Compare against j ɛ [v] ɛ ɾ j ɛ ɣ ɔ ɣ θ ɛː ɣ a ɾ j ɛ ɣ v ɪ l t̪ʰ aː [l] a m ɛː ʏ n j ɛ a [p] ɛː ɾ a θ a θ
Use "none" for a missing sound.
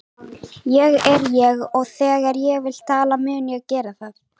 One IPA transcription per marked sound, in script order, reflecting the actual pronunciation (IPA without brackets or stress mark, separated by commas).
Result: ɣ, l, c